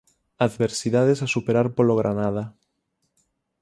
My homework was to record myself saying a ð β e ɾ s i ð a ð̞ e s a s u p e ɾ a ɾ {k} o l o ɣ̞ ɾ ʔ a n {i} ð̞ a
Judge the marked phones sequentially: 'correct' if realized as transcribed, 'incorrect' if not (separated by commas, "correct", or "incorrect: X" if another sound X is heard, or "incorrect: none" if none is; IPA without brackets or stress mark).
incorrect: p, incorrect: a